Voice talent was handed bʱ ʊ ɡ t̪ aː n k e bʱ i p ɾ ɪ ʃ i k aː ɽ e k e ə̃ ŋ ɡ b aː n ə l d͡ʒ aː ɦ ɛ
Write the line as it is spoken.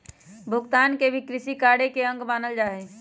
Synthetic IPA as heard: bʱ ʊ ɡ t̪ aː n k e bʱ i k ɾ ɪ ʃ i k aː ɽ e k e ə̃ ŋ ɡ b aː n ə l d͡ʒ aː ɦ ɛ